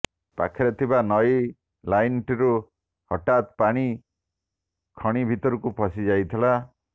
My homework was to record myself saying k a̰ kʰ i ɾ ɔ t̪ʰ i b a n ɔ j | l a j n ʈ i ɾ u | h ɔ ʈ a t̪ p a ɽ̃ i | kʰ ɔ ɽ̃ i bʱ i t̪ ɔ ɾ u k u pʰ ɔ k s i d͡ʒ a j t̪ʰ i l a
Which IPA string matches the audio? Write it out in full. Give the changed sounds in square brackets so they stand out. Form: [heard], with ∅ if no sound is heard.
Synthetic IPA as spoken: [p] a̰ kʰ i ɾ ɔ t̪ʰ i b a n ɔ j | l a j n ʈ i ɾ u | h ɔ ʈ a t̪ p a ɽ̃ i | kʰ ɔ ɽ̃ i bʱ i t̪ ɔ ɾ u k u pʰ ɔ [∅] s i d͡ʒ a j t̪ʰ i l a